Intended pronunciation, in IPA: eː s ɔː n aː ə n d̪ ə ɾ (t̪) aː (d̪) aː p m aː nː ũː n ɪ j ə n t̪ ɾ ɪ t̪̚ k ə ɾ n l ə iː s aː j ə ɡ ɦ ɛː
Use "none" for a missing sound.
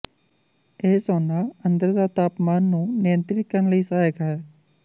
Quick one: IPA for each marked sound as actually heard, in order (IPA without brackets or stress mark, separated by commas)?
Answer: d̪, t̪